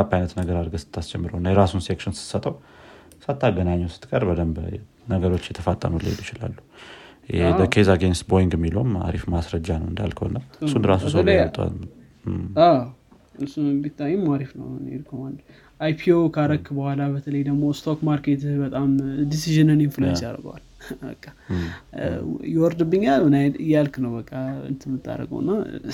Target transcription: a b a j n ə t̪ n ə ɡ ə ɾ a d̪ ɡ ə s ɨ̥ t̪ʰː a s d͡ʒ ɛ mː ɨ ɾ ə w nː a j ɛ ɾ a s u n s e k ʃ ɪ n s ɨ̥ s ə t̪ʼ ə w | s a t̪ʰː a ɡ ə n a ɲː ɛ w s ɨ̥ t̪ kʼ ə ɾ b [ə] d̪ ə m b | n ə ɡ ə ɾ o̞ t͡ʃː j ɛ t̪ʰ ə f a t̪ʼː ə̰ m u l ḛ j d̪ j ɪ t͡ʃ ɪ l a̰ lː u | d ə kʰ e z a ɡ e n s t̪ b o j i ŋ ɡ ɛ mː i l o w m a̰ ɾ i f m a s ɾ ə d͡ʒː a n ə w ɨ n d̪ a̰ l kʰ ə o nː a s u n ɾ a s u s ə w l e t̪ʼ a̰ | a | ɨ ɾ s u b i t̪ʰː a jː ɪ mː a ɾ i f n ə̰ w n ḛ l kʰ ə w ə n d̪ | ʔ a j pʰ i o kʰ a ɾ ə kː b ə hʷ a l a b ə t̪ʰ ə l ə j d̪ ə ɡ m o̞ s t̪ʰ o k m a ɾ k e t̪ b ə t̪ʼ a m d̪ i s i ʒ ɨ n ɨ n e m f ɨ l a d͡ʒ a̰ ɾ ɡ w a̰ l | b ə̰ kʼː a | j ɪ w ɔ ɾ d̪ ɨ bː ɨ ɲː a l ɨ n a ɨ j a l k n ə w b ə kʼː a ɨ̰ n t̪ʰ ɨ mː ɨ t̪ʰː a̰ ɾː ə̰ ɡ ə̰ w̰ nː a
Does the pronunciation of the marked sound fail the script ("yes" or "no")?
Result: no